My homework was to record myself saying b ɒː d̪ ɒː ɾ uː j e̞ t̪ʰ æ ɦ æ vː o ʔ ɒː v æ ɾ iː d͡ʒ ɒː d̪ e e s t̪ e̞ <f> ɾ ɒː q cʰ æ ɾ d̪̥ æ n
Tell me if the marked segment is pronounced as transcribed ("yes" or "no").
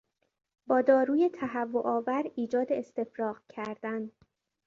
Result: yes